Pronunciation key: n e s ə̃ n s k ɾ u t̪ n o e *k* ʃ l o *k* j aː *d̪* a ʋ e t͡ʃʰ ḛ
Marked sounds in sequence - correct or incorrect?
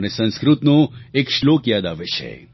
correct, correct, correct

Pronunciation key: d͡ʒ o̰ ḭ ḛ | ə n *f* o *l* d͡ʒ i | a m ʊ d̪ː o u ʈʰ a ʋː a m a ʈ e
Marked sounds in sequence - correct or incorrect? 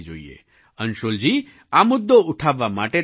incorrect: ʃ, correct

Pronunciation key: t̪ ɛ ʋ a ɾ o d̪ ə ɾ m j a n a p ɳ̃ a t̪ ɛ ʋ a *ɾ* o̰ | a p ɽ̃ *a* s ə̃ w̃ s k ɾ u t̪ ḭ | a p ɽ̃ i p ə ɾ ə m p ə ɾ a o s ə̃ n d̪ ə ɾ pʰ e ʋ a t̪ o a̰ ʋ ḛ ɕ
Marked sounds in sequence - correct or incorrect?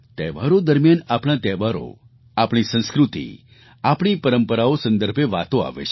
correct, incorrect: i

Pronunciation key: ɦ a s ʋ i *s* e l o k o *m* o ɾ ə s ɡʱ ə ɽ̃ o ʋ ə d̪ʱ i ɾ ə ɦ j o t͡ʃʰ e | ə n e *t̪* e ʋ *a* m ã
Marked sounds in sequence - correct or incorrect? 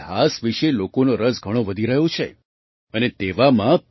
incorrect: ʃ, incorrect: n, correct, correct

